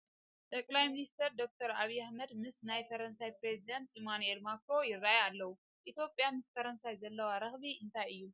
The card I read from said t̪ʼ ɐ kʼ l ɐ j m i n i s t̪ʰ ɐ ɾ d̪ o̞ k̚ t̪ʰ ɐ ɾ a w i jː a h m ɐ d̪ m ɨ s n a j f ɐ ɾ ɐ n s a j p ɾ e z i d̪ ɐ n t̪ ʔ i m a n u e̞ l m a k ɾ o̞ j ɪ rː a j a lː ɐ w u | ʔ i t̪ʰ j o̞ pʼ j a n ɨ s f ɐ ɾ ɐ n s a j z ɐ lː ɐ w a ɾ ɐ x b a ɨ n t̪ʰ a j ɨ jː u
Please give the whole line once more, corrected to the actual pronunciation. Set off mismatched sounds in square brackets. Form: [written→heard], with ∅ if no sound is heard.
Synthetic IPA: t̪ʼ ɐ kʼ l [ɐ→a] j m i n i s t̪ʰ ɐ ɾ d̪ o̞ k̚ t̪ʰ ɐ ɾ a [w→β] i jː a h m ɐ d̪ m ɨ s n a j f ɐ ɾ ɐ n s a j p ɾ e z i d̪ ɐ n t̪ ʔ i m a n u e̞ l m a k ɾ o̞ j ɪ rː a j a lː ɐ w u | ʔ i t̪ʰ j o̞ pʼ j a [n→m] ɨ s f ɐ ɾ ɐ n s a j z ɐ lː ɐ w a ɾ ɐ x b [a→i] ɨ n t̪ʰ a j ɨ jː u

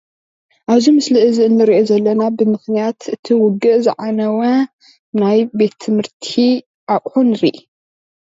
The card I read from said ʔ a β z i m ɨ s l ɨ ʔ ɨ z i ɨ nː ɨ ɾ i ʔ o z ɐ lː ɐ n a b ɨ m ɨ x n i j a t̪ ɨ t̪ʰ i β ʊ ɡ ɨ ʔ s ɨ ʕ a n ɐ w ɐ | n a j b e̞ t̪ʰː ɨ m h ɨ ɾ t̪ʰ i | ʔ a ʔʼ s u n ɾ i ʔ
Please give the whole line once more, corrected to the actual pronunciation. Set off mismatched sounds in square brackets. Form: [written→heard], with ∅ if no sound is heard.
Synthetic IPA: ʔ a β z i m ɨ s l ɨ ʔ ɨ z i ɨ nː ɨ ɾ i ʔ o z ɐ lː ɐ n a b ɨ m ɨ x n i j a t̪ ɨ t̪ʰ i [β→w] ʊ ɡ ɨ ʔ [s→z] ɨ ʕ a n ɐ w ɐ | n a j b e̞ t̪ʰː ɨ m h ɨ ɾ t̪ʰ i | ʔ a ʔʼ [s→ħ] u n ɾ i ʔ

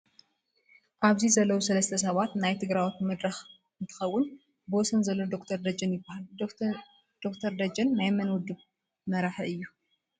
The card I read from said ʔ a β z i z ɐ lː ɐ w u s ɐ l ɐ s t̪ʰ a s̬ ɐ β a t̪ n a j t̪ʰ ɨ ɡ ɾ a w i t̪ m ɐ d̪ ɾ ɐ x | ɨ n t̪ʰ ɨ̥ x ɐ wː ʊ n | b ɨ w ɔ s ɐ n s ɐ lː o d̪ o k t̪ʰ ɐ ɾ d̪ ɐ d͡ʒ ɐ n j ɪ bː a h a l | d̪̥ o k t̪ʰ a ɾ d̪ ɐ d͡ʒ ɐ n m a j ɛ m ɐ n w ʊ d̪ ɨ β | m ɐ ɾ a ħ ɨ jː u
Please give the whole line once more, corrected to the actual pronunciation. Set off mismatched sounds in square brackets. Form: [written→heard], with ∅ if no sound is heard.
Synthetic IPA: ʔ a β z i z ɐ lː ɐ w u s ɐ l ɐ s t̪ʰ [a→ɐ] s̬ ɐ β a t̪ n a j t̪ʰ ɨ ɡ ɾ a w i t̪ m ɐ d̪ ɾ ɐ x | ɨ n t̪ʰ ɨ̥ x ɐ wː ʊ n | b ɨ w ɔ s ɐ n [s→z] ɐ lː o d̪ o k t̪ʰ ɐ ɾ d̪ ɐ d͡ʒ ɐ n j ɪ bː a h a l | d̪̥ o k t̪ʰ [a→ɐ] ɾ d̪ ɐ d͡ʒ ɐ n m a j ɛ m ɐ n w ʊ d̪ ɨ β | m ɐ ɾ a ħ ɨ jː u

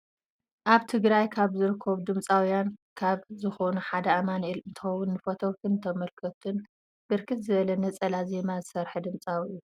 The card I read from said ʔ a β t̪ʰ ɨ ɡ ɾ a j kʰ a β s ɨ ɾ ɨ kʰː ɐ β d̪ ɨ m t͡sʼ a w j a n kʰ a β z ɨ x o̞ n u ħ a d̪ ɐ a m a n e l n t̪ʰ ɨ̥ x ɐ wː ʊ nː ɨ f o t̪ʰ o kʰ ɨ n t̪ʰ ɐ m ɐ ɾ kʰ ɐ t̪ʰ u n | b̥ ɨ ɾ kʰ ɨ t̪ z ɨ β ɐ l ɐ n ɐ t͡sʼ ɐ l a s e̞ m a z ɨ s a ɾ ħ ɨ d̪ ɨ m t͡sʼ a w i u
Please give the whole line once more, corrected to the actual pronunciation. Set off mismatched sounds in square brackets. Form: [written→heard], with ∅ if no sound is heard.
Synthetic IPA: ʔ a β t̪ʰ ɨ ɡ ɾ a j kʰ a β [s→z] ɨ ɾ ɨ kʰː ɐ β d̪ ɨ m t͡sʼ a w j a n kʰ a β z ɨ x o̞ n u ħ a d̪ ɐ a m a n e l n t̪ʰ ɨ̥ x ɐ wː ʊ nː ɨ f o t̪ʰ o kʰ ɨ n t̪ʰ ɐ m ɐ [ɾ→l] kʰ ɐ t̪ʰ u n | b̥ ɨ ɾ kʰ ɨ t̪ z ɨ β ɐ l ɐ n ɐ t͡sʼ ɐ l a [s→z] e̞ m a z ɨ s [a→ɐ] ɾ ħ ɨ d̪ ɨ m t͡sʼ a w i u

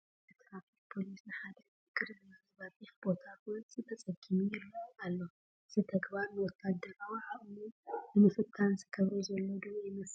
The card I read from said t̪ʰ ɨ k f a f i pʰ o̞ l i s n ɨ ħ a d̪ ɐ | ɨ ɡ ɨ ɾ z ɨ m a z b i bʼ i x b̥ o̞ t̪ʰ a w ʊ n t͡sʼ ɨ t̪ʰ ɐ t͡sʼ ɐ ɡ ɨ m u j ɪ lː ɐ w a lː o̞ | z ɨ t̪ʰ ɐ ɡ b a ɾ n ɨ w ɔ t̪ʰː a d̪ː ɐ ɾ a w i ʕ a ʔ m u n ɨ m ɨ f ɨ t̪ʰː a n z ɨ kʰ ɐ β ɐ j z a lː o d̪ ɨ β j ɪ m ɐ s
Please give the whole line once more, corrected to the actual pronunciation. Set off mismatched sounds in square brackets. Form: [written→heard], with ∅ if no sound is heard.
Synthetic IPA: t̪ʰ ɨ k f a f i pʰ o̞ l i s n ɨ ħ a d̪ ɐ | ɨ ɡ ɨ ɾ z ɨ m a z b [i→a] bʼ i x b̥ o̞ t̪ʰ a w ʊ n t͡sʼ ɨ t̪ʰ ɐ t͡sʼ ɐ ɡ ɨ m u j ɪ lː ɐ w a lː o̞ | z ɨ t̪ʰ ɐ ɡ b a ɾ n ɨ w ɔ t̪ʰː a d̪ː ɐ ɾ a w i ʕ a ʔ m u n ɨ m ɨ f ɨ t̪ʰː a n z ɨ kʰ ɐ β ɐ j z [a→ɐ] lː o d̪ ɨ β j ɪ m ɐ s

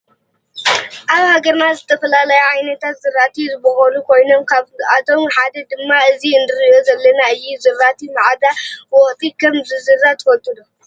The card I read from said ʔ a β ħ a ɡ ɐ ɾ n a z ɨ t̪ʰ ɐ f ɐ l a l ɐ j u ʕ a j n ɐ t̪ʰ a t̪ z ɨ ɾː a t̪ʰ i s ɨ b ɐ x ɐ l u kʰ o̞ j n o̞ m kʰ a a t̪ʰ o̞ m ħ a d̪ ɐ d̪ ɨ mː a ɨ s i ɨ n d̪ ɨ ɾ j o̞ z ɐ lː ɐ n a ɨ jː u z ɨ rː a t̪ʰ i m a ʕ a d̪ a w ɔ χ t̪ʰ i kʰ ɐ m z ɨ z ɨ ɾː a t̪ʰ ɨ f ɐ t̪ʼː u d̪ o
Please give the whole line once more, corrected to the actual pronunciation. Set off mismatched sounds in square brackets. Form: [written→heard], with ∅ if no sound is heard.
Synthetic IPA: ʔ a β [ħ→h] a ɡ ɐ ɾ n a z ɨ t̪ʰ ɐ f ɐ l a l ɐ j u ʕ a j n ɐ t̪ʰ a t̪ z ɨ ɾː a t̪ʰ i [s→z] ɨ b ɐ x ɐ l u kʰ o̞ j n o̞ m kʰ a a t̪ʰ o̞ m ħ a d̪ ɐ d̪ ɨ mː a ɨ [s→z] i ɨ n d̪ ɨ ɾ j o̞ z ɐ lː ɐ n a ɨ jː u z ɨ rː a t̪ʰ i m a ʕ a d̪ a w ɔ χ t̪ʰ i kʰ ɐ m z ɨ z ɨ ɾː a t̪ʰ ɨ f ɐ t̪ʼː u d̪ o

